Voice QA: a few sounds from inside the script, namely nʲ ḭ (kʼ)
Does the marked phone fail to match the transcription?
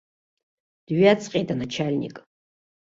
no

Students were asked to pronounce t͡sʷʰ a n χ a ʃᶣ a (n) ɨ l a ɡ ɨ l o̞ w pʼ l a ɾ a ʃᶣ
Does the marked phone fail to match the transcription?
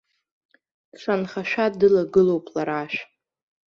yes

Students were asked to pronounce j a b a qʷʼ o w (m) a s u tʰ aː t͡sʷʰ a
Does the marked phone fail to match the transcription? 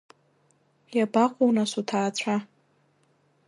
yes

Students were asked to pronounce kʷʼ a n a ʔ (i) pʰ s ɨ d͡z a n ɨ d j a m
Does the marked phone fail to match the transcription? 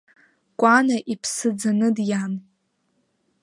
no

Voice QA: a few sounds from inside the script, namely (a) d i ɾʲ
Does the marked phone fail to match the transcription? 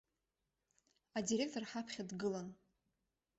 no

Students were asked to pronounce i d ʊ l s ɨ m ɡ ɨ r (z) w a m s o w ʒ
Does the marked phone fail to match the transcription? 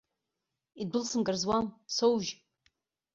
no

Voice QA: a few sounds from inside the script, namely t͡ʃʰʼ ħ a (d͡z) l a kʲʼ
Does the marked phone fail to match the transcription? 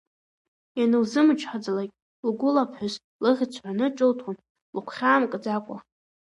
no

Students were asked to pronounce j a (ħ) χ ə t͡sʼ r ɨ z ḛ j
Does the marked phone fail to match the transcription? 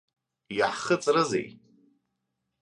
no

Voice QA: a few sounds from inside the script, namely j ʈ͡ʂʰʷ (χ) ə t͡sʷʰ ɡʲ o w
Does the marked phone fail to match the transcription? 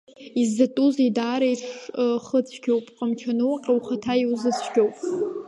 no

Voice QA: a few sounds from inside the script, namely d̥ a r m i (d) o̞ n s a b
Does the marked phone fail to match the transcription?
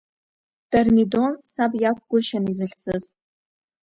no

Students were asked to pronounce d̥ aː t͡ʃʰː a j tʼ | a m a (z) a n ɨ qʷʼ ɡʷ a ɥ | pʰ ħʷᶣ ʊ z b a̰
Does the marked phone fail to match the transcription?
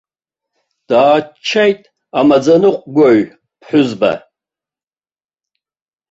yes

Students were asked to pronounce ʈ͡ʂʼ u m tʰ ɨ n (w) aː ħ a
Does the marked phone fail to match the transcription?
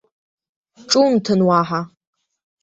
no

